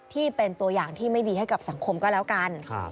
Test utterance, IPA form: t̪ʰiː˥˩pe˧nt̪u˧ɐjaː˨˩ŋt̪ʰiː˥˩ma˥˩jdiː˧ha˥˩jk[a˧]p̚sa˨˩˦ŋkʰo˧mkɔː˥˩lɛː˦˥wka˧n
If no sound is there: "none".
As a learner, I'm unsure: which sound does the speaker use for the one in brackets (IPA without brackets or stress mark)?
a˨˩